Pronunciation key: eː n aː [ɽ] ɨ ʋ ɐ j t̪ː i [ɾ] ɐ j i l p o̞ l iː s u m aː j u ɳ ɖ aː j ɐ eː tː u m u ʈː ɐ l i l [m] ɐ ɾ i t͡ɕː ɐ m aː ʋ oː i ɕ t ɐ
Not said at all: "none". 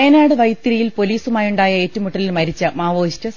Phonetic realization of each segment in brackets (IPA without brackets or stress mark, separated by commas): ɽ, ɾ, m